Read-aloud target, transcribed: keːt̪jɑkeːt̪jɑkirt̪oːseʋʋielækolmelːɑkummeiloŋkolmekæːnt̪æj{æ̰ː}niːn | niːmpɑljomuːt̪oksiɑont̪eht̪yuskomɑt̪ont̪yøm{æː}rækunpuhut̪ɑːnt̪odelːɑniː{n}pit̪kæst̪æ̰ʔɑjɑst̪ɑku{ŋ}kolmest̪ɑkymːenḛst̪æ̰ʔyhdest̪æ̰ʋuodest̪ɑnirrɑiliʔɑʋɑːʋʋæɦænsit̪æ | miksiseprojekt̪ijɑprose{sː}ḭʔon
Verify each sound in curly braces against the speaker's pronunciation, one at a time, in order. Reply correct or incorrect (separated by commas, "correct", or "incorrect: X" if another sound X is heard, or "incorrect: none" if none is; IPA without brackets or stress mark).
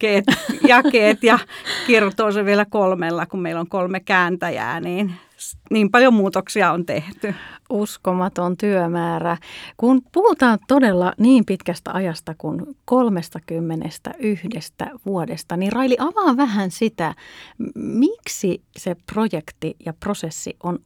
correct, correct, incorrect: m, incorrect: n, correct